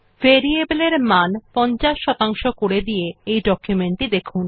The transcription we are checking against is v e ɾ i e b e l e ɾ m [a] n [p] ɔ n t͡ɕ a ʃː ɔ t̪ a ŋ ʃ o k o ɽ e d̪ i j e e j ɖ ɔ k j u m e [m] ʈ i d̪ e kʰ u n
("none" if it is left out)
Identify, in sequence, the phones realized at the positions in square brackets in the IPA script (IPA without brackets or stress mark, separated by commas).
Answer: a, p, ɳ